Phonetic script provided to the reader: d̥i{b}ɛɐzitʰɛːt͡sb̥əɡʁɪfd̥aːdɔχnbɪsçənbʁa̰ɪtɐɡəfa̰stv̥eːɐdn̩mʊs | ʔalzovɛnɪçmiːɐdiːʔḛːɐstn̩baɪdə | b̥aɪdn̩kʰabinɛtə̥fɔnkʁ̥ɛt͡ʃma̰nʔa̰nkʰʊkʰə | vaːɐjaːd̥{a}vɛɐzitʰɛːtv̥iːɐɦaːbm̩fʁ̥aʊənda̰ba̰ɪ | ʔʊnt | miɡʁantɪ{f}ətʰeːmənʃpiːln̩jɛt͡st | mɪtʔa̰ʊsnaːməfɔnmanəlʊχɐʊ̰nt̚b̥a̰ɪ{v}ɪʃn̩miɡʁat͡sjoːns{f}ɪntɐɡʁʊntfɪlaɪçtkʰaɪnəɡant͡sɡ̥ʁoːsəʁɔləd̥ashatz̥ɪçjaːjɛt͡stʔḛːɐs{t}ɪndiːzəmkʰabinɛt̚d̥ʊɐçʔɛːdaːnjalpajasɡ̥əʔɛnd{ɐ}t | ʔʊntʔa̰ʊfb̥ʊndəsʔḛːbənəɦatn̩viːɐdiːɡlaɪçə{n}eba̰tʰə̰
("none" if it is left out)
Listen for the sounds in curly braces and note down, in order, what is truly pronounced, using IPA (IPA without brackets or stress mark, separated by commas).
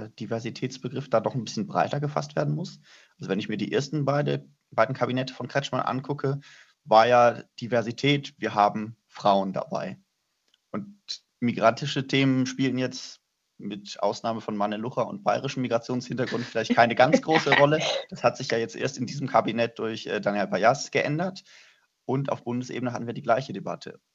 v, i, ʃ, ʁ, h, t, ɐ, d